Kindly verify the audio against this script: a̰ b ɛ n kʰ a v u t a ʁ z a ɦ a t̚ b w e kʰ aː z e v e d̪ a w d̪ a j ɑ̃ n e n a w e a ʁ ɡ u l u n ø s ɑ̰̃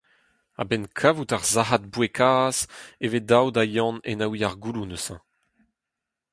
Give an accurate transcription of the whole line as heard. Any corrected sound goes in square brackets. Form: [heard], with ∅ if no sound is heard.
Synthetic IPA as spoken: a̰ b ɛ n kʰ a v u t a ʁ z a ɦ a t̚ b w e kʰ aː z e v e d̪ a w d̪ a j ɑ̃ n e n a w [i] a ʁ ɡ u l u n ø s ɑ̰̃